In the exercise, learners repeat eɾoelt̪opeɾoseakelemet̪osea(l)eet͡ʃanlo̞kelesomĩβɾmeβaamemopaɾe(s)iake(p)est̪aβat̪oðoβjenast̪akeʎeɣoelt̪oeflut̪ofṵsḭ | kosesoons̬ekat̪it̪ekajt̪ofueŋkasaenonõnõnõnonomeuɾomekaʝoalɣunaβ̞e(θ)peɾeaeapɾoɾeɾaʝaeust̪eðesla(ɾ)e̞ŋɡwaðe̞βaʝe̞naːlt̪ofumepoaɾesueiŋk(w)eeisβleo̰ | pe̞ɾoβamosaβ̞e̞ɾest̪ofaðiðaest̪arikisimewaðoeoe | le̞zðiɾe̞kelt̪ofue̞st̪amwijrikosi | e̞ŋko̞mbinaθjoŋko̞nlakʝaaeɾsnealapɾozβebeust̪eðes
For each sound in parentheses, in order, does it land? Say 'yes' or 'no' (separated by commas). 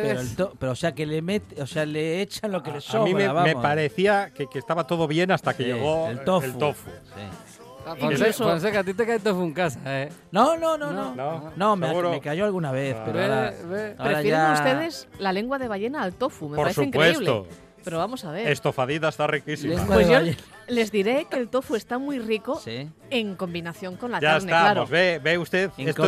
yes, no, no, yes, no, yes